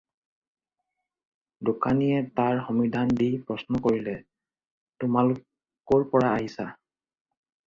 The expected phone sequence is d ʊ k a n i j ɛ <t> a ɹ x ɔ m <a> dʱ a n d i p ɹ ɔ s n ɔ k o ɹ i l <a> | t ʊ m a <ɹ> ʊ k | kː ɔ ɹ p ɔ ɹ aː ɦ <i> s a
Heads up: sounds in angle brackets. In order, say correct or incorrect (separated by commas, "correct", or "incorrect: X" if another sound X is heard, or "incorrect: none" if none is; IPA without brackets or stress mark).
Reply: correct, incorrect: i, incorrect: ɛ, incorrect: l, correct